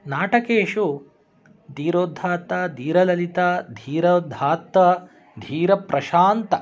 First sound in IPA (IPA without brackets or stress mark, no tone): n